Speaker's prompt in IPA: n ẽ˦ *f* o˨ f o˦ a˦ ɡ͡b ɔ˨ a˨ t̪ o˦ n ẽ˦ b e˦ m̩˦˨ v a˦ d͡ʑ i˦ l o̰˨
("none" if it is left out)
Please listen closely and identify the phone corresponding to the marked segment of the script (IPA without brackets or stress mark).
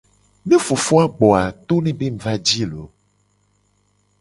f